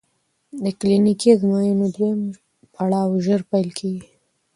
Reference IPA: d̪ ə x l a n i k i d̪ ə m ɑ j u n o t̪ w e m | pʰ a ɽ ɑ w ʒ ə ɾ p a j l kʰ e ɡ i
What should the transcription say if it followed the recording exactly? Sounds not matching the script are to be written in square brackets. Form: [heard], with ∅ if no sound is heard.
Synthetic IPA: d̪ ə [k] l [i] n i k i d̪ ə m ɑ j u n o [d̪] w e m | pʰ a ɽ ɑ w ʒ ə ɾ p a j l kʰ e ɡ i